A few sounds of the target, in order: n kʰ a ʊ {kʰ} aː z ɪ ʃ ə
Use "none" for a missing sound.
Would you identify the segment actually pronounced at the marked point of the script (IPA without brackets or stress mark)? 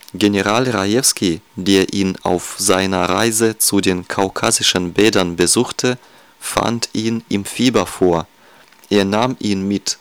kʰ